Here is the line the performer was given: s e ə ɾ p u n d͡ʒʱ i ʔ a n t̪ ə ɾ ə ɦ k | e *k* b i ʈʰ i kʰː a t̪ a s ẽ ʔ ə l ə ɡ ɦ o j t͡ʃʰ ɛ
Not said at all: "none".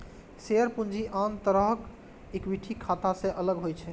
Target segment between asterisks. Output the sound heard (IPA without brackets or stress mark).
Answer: k